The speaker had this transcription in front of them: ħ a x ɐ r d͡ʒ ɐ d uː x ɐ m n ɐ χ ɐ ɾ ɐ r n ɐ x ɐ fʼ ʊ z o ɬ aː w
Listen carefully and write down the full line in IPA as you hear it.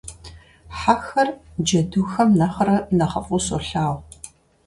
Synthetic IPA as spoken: ħ a x ɐ r d͡ʒ ɐ d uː x ɐ m n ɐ χ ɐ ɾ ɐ n ɐ χ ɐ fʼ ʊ s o ɬ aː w